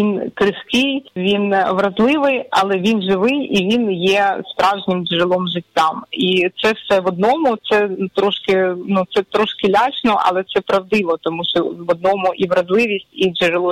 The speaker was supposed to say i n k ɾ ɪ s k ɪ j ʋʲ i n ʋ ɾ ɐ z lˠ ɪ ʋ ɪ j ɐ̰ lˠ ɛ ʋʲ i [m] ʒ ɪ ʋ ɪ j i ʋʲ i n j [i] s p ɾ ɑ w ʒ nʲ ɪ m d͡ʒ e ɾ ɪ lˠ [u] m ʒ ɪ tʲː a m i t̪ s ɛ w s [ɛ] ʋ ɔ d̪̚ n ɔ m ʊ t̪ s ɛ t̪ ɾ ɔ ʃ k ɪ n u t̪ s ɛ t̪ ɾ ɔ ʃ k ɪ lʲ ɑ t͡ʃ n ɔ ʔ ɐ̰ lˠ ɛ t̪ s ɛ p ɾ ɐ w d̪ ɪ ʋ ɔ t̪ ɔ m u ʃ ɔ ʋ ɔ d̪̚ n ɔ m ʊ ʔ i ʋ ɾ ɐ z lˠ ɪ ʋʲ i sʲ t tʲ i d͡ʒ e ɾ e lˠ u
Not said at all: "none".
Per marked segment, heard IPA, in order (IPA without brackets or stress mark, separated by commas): n, ɛ, ɔ, ɛ